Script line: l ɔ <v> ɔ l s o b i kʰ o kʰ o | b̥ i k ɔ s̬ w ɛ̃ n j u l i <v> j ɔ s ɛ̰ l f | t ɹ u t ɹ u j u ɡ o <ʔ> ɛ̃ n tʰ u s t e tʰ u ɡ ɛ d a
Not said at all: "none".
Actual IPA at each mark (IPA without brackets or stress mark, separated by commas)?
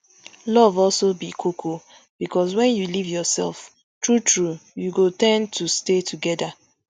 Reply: v, v, t